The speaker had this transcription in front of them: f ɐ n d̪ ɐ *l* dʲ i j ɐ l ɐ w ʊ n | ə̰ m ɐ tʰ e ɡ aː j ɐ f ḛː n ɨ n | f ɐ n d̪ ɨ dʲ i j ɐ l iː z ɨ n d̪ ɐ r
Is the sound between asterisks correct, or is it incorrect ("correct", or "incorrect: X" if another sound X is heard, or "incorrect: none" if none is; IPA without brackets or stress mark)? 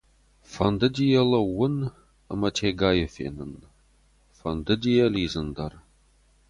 incorrect: none